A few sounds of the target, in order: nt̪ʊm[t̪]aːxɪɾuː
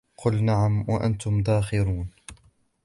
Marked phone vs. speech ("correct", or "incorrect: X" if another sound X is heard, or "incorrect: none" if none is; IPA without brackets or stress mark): incorrect: d̪